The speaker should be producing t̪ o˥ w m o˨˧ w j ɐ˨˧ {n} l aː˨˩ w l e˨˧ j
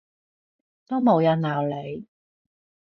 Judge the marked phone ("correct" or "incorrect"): correct